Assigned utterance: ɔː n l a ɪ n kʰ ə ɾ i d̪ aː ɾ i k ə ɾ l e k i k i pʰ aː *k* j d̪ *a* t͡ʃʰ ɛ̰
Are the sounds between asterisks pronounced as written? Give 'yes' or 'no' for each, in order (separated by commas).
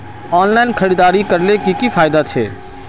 no, yes